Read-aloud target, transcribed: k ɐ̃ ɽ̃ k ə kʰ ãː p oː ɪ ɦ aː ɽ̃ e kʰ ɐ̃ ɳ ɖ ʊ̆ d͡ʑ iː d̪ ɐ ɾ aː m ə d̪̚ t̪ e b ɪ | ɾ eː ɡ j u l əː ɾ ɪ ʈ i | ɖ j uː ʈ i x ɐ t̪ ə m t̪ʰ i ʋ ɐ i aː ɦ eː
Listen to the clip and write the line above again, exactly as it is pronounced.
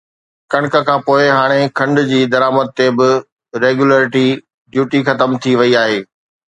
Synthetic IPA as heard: k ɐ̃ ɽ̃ k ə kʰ ãː p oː ɪ ɦ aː ɽ̃ e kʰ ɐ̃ ɳ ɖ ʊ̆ d͡ʑ iː d̪ ɐ ɾ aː m ə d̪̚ t̪ e b ɪ | ɾ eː ɡ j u l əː ɾ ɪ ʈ i | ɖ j uː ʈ i x ɐ t̪ ə m t̪ʰ i ʋ ɐ i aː ɦ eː

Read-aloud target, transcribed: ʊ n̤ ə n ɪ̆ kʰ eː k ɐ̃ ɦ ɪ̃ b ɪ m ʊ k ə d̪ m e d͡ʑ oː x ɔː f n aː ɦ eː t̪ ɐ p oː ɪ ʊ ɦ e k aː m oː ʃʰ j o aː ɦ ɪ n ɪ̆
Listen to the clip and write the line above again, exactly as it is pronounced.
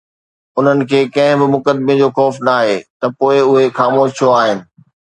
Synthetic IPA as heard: ʊ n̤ ə n ɪ̆ kʰ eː k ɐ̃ ɦ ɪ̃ b ɪ m ʊ k ə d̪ m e d͡ʑ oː x ɔː f n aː ɦ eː t̪ ɐ p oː ɪ ʊ ɦ e x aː m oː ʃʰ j o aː ɦ ɪ n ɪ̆

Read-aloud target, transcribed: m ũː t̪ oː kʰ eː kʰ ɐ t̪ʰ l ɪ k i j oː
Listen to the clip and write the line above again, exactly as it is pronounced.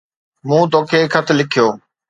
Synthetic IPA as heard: m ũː t̪ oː kʰ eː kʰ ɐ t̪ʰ l ɪ kʰ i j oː

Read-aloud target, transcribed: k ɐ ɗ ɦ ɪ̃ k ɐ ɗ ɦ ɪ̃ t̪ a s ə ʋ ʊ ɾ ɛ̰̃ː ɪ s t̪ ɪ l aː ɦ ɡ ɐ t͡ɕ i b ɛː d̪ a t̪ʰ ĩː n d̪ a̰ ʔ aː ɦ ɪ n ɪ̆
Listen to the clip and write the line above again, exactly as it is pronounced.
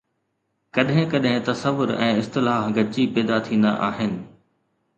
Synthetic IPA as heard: k ɐ ɗ ɦ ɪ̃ k ɐ ɗ ɦ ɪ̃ t̪ ɐ s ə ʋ ʊ ɾ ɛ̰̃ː ɪ s t̪ ɪ l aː ɦ ɡ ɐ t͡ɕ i p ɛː d̪ a t̪ʰ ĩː n d̪ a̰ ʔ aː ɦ ɪ n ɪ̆

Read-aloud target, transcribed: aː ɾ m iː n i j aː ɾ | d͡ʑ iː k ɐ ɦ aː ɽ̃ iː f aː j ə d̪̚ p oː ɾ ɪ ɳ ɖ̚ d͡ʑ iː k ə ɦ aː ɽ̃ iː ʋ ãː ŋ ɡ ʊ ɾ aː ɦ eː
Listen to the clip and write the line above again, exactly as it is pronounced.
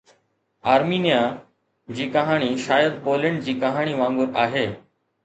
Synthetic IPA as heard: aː ɾ m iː n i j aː | d͡ʑ iː k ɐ ɦ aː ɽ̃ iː ʃ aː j ə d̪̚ p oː l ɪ ɳ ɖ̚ d͡ʑ iː k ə ɦ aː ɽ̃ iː ʋ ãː ŋ ɡ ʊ ɾ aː ɦ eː

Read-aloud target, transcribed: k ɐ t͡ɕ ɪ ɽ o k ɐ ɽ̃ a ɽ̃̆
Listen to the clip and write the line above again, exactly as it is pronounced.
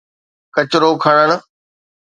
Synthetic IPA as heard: k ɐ t͡ɕ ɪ ɾ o kʰ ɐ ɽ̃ ə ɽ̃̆

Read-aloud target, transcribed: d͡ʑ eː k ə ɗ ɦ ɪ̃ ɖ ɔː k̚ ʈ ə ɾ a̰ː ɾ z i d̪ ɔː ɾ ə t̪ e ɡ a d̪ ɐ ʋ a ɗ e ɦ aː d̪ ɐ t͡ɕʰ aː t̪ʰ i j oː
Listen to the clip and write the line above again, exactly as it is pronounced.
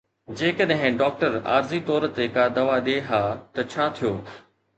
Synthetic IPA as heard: d͡ʑ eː k ə ɗ ɦ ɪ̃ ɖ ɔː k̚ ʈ ə ɾ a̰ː ɾ z i t̪ ɔː ɾ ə t̪ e k a d̪ ɐ ʋ a ɗ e ɦ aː t̪ ɐ t͡ɕʰ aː t̪ʰ i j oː

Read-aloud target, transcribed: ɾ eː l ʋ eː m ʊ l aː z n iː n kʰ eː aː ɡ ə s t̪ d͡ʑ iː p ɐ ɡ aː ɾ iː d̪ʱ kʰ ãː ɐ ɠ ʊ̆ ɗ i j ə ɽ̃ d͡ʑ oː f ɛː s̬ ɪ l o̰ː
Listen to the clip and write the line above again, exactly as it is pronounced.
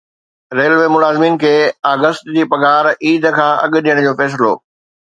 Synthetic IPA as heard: ɾ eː l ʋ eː m ʊ l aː z m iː n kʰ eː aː ɡ ə s t̪ d͡ʑ iː p ɐ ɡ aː ɾ iː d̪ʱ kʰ ãː ɐ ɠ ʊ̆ ɗ i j ə ɽ̃ d͡ʑ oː f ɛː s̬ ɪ l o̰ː

